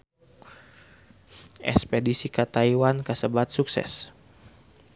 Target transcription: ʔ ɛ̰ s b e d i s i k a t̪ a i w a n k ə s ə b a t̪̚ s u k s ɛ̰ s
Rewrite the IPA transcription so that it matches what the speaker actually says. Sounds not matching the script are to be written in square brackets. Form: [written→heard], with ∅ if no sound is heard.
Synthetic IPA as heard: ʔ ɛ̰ s [b→p] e d i s i k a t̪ a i w a n k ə s ə b a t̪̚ s u k s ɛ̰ s